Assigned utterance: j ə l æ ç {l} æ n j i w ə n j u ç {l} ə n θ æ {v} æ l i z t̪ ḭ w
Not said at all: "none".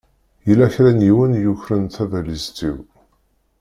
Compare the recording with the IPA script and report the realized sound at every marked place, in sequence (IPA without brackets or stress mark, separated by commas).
ɾ, ɾ, v